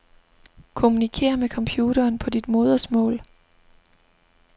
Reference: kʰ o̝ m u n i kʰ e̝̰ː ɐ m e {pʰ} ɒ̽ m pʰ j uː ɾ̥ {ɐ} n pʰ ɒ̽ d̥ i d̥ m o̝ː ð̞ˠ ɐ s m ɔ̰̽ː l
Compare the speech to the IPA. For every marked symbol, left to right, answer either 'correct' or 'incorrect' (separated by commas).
incorrect, incorrect